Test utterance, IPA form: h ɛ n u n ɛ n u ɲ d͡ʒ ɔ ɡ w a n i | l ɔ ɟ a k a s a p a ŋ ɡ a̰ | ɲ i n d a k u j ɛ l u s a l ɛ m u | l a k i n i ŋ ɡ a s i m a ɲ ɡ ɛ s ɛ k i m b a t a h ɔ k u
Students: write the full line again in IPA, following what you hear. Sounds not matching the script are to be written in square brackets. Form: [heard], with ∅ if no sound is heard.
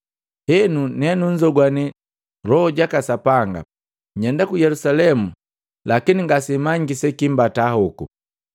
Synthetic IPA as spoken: h ɛ n u n ɛ n u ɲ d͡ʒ ɔ ɡ w a n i | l ɔ ɟ a k a s a p a ŋ ɡ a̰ | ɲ [ɛ] n d a k u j ɛ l u s a l ɛ m u | l a k i n i ŋ ɡ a s i m a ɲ ɡ [i] s ɛ k i m b a t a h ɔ k u